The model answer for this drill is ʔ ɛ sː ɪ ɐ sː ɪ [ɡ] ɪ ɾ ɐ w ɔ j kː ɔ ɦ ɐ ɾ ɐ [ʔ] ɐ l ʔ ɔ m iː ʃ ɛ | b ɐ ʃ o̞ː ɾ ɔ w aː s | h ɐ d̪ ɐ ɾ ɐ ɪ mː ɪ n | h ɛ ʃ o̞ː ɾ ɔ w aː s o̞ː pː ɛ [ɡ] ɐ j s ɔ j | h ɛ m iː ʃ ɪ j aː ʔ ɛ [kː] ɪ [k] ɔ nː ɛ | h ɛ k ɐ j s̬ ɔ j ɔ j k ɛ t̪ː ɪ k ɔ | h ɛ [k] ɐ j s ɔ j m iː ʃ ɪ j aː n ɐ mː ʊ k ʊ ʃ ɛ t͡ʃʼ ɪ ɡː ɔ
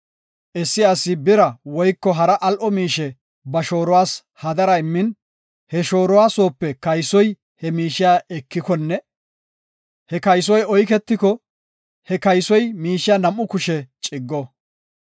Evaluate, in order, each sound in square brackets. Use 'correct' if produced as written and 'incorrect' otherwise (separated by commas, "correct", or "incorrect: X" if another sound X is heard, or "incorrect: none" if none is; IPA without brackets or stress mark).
incorrect: b, correct, incorrect: k, correct, correct, correct